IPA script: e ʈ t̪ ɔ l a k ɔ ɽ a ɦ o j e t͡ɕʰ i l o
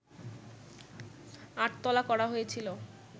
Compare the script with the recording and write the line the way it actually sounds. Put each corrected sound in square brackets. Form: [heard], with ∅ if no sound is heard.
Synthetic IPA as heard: [a] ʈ t̪ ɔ l a k ɔ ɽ a ɦ o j e t͡ɕʰ i l o

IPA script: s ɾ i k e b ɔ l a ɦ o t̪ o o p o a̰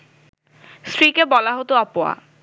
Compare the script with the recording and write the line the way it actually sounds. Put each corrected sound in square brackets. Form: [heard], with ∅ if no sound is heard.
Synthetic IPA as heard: s ɾ i k e b ɔ l a ɦ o t̪ o [ɔ] p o a̰

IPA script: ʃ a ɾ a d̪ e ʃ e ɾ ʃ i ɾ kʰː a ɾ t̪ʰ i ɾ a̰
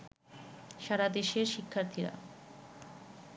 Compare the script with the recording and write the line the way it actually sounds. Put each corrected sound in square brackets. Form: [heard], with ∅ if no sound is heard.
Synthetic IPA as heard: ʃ a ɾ a d̪ e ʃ e ɾ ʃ i [∅] kʰː a ɾ t̪ʰ i ɾ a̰

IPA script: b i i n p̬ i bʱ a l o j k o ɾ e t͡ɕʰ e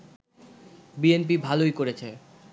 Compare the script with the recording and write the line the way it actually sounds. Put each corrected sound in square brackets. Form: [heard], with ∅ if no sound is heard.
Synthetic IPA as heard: b i [e] n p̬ i bʱ a l o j k o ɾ e t͡ɕʰ e

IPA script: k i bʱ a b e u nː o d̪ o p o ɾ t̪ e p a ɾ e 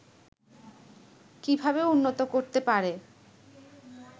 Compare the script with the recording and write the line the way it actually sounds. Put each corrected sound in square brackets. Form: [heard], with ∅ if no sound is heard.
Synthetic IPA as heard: k i bʱ a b e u nː o [t̪] o [k] o ɾ t̪ e p a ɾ e

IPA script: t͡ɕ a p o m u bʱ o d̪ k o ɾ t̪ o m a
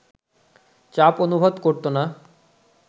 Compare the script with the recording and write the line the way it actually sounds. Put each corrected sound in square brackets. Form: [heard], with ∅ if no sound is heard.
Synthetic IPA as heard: t͡ɕ a p o [n] u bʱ o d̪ k o ɾ t̪ o [n] a

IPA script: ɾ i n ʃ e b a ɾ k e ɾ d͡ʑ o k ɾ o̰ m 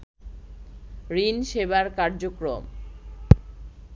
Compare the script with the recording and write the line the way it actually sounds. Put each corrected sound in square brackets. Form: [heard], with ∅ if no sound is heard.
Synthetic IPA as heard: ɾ i n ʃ e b a ɾ k [a] ɾ d͡ʑ o k ɾ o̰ m

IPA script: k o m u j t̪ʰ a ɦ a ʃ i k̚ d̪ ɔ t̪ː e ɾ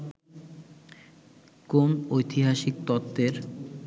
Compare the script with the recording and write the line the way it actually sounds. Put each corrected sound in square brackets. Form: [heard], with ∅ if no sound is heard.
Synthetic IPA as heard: k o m [o] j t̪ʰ [i] ɦ a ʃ i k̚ [t̪] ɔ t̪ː e ɾ

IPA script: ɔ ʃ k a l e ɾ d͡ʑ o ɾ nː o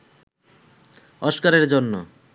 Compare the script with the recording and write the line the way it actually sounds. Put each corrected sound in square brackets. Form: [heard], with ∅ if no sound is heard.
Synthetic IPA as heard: ɔ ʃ k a [ɾ] e ɾ d͡ʑ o [∅] nː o

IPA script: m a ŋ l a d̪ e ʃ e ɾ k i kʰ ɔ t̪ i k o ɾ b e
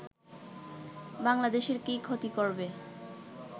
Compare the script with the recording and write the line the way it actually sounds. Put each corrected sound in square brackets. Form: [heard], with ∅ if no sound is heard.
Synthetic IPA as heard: [b] a ŋ l a d̪ e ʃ e ɾ k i kʰ [o] t̪ i k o ɾ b e

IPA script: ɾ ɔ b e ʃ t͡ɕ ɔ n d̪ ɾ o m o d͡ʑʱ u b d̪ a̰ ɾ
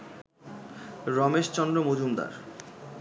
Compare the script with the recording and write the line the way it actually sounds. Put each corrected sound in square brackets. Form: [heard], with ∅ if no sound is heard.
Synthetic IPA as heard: ɾ ɔ [m] e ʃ t͡ɕ ɔ n d̪ ɾ o m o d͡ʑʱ u [m] d̪ a̰ ɾ

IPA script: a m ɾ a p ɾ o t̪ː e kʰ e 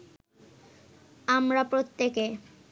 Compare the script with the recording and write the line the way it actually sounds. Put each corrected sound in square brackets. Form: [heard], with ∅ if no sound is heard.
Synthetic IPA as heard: a m ɾ a p ɾ o t̪ː e [k] e

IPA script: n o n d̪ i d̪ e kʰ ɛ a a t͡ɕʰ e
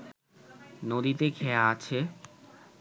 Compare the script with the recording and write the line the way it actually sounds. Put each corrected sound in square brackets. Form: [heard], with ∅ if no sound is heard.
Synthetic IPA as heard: n o [∅] d̪ i [t̪] e kʰ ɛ a a t͡ɕʰ e

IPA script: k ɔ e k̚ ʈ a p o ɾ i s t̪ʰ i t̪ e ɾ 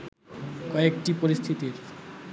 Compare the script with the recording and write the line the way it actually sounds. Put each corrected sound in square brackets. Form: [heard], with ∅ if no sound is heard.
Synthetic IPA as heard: k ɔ e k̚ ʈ [i] p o ɾ i s t̪ʰ i t̪ [i] ɾ

